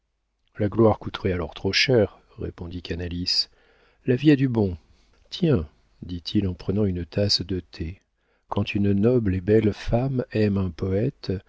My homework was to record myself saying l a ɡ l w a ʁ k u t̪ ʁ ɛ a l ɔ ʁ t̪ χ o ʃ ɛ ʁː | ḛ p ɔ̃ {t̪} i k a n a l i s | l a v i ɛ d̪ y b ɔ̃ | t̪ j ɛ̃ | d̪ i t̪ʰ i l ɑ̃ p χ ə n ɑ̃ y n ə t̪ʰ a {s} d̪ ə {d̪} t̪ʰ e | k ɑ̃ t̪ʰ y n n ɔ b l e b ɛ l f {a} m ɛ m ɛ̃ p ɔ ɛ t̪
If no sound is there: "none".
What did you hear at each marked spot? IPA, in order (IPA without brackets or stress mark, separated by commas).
d̪, s, none, a